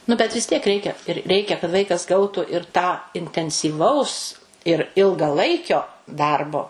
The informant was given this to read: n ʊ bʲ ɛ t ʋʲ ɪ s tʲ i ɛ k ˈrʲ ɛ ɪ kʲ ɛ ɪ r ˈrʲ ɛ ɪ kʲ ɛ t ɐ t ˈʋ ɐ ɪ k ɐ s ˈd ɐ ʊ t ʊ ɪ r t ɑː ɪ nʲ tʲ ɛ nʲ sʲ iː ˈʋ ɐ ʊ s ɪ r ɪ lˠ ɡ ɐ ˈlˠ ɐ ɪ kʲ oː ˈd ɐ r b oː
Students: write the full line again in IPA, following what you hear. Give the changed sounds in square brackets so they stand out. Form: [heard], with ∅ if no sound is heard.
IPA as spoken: n ʊ bʲ ɛ t ʋʲ ɪ s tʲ i ɛ k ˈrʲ ɛ ɪ kʲ ɛ ɪ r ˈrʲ ɛ ɪ kʲ ɛ [k] ɐ t ˈʋ ɐ ɪ k ɐ s [ˈɡ] ɐ ʊ t ʊ ɪ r t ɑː ɪ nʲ tʲ ɛ nʲ sʲ iː ˈʋ ɐ ʊ s ɪ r ɪ lˠ ɡ ɐ ˈlˠ ɐ ɪ kʲ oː ˈd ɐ r b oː

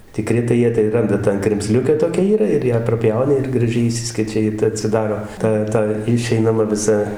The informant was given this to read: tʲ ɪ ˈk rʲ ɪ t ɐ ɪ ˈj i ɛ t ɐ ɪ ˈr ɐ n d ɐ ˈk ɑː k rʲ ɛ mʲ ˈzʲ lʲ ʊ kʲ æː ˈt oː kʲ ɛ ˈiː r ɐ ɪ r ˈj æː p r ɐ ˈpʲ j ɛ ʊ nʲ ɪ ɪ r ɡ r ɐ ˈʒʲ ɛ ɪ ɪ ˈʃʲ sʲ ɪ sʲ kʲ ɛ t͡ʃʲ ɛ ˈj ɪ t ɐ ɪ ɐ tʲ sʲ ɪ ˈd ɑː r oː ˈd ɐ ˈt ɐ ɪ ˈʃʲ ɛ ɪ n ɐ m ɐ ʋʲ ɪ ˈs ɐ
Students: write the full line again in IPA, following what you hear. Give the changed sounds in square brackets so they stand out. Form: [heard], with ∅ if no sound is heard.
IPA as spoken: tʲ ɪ ˈk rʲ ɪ t ɐ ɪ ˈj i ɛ t ɐ ɪ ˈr ɐ n d ɐ [ˈt] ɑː k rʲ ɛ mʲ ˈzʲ lʲ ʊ kʲ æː ˈt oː kʲ ɛ ˈiː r ɐ ɪ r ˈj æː p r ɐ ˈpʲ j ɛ ʊ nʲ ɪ ɪ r ɡ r ɐ ˈʒʲ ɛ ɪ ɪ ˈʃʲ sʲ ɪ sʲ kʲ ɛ t͡ʃʲ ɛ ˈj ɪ t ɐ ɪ ɐ tʲ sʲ ɪ ˈd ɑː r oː [ˈt] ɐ ˈt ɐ ɪ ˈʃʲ ɛ ɪ n ɐ m ɐ ʋʲ ɪ ˈs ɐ

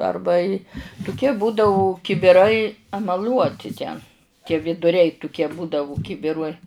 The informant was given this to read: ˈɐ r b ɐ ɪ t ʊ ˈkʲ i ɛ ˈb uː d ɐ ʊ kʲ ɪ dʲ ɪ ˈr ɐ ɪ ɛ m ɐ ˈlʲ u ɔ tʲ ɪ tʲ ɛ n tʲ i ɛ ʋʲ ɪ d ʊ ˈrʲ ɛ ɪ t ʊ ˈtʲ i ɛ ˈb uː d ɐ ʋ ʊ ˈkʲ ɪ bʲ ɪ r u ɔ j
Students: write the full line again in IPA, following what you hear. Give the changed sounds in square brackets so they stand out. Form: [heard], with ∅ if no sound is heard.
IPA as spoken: ˈɐ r b ɐ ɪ t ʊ ˈkʲ i ɛ ˈb uː d ɐ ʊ kʲ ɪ [bʲ] ɪ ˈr ɐ ɪ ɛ m ɐ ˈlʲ u ɔ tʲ ɪ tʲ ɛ n tʲ i ɛ ʋʲ ɪ d ʊ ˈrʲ ɛ ɪ t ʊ [ˈkʲ] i ɛ ˈb uː d ɐ ʋ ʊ ˈkʲ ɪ bʲ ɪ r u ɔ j

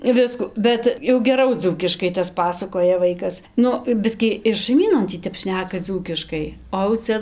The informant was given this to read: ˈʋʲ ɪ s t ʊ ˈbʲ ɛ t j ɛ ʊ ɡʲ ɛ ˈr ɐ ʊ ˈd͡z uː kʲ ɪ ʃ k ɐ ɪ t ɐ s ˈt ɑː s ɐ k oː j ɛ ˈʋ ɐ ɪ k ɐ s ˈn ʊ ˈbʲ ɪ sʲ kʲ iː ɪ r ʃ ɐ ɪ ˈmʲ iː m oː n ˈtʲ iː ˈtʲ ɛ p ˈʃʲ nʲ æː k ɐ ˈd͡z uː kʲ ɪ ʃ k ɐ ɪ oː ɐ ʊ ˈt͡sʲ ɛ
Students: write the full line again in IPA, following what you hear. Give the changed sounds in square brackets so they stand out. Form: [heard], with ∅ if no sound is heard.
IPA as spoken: ˈʋʲ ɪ s [k] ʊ ˈbʲ ɛ t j ɛ ʊ ɡʲ ɛ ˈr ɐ ʊ ˈd͡z uː kʲ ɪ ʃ k ɐ ɪ t ɐ s [ˈp] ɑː s ɐ k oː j ɛ ˈʋ ɐ ɪ k ɐ s ˈn ʊ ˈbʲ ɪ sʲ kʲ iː ɪ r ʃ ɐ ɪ ˈmʲ iː [n] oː n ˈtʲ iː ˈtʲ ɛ p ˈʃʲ nʲ æː k ɐ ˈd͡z uː kʲ ɪ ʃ k ɐ ɪ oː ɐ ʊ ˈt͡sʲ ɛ

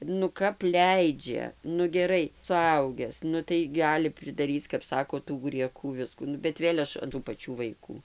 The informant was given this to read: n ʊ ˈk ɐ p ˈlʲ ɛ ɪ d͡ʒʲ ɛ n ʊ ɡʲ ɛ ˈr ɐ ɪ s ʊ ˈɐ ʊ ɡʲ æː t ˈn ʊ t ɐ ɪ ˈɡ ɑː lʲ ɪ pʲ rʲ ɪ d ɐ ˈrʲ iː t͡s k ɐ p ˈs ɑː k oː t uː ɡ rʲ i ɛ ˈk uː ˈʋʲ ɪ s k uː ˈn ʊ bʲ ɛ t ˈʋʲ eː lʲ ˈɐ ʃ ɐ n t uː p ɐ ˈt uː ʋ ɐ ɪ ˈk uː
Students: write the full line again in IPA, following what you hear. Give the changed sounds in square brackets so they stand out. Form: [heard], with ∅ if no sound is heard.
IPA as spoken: n ʊ ˈk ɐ p ˈlʲ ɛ ɪ d͡ʒʲ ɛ n ʊ ɡʲ ɛ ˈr ɐ ɪ s ʊ ˈɐ ʊ ɡʲ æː [s] ˈn ʊ t ɐ ɪ ˈɡ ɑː lʲ ɪ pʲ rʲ ɪ d ɐ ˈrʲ iː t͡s k ɐ p ˈs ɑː k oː t uː ɡ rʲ i ɛ ˈk uː ˈʋʲ ɪ s k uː ˈn ʊ bʲ ɛ t ˈʋʲ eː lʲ ˈɐ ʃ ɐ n t uː p ɐ [ˈt͡ʃʲ] uː ʋ ɐ ɪ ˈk uː

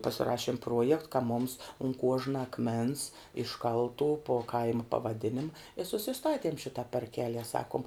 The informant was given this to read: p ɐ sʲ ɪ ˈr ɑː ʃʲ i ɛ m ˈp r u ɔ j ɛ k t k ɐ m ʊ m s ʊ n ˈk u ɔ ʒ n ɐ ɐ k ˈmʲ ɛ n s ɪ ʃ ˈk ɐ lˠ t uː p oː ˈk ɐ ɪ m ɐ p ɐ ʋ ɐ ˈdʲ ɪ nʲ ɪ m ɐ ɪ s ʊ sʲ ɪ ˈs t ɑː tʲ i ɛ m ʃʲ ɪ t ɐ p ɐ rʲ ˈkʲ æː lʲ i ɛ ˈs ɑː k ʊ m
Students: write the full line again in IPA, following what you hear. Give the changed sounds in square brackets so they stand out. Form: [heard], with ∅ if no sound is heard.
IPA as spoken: p ɐ sʲ ɪ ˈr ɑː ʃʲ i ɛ m ˈp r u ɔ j ɛ k t k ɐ m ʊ m s ʊ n ˈk u ɔ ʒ n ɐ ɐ k ˈmʲ ɛ n s ɪ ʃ ˈk ɐ lˠ t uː p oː ˈk ɐ ɪ m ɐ p ɐ ʋ ɐ ˈdʲ ɪ nʲ ɪ m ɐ ɪ s ʊ sʲ ɪ ˈs t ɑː tʲ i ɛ m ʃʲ ɪ t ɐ p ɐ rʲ ˈkʲ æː lʲ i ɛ ˈs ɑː k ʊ m

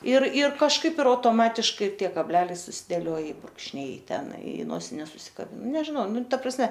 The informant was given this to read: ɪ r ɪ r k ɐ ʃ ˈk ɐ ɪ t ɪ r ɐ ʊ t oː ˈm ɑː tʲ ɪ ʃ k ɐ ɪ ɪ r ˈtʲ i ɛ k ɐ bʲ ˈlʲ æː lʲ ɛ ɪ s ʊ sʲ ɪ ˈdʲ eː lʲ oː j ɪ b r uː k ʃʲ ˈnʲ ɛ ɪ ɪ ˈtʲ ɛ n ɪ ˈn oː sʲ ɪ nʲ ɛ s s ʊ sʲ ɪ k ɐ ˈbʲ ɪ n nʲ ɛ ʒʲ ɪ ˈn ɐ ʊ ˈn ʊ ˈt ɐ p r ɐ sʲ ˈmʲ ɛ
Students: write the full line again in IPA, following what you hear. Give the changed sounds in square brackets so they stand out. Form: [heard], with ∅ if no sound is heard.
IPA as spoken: ɪ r ɪ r k ɐ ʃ ˈk ɐ ɪ [p] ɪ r ɐ ʊ t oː ˈm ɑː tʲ ɪ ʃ k ɐ ɪ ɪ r ˈtʲ i ɛ k ɐ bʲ ˈlʲ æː lʲ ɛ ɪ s ʊ sʲ ɪ ˈdʲ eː lʲ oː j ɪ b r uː k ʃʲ ˈnʲ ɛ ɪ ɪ ˈtʲ ɛ n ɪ ˈn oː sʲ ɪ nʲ ɛ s s ʊ sʲ ɪ k ɐ ˈbʲ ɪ n nʲ ɛ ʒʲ ɪ ˈn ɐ ʊ ˈn ʊ ˈt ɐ p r ɐ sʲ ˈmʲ ɛ

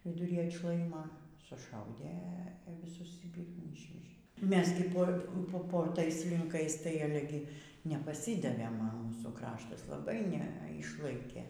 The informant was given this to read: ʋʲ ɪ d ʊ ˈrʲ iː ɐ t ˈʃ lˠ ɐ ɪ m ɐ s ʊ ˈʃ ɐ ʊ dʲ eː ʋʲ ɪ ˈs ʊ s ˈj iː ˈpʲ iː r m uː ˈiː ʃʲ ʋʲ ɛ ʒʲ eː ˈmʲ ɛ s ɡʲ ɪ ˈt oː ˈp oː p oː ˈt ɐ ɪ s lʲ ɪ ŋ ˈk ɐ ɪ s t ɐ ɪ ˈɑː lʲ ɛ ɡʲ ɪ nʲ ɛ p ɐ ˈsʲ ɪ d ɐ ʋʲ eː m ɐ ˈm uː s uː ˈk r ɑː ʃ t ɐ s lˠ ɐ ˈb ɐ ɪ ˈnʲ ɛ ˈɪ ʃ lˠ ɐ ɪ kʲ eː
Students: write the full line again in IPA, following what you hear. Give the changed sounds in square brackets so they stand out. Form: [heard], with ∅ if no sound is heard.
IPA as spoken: ʋʲ ɪ d ʊ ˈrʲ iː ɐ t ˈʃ lˠ ɐ ɪ m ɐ s ʊ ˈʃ ɐ ʊ dʲ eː ʋʲ ɪ ˈs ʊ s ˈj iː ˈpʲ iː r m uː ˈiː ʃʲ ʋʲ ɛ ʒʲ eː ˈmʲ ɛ s ɡʲ ɪ [ˈp] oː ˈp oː p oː ˈt ɐ ɪ s lʲ ɪ ŋ ˈk ɐ ɪ s t ɐ ɪ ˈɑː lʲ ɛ ɡʲ ɪ nʲ ɛ p ɐ ˈsʲ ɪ d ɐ ʋʲ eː m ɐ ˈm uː s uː ˈk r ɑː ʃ t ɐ s lˠ ɐ ˈb ɐ ɪ ˈnʲ ɛ ˈɪ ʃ lˠ ɐ ɪ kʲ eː

